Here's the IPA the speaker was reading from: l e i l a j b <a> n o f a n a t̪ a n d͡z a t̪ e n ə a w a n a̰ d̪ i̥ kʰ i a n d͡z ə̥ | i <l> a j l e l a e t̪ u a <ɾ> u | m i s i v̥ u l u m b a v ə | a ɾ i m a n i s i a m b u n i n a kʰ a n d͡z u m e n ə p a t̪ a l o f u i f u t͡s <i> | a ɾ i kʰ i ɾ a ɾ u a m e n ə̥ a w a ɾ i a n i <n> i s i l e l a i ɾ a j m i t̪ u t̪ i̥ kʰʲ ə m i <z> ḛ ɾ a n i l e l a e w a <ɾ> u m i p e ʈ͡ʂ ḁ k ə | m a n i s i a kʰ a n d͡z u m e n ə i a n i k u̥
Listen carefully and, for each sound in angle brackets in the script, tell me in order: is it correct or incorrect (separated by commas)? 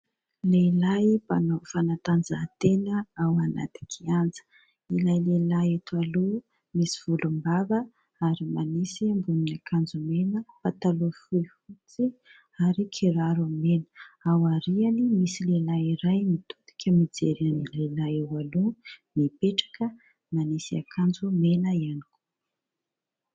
correct, correct, incorrect, correct, incorrect, incorrect, incorrect